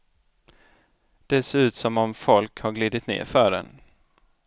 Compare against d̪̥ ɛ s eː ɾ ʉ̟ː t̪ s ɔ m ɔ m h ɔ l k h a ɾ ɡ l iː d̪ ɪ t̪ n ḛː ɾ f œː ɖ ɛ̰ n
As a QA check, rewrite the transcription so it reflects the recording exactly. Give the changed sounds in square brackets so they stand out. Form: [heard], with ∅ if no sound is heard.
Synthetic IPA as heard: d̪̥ ɛ s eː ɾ ʉ̟ː t̪ s ɔ m ɔ m [f] ɔ l k h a ɾ ɡ l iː d̪ ɪ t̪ n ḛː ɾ f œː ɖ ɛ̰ n